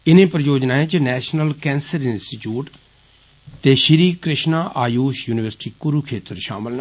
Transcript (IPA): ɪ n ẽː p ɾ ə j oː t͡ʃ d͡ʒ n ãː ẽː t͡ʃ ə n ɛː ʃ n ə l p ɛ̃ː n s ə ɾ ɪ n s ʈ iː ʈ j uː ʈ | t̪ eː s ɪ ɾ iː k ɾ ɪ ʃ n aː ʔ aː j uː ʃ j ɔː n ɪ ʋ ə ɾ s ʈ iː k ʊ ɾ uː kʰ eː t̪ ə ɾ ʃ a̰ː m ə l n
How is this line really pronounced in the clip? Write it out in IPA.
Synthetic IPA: ɪ n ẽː p ɾ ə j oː d͡ʒ n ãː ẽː t͡ʃ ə n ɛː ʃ n ə l k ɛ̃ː n s ə ɾ ɪ n s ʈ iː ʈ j uː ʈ | t̪ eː ʃ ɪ ɾ iː k ɾ ɪ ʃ n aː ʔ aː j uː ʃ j uː n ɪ ʋ ə ɾ s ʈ iː k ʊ ɾ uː kʰ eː t̪ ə ɾ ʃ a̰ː m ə l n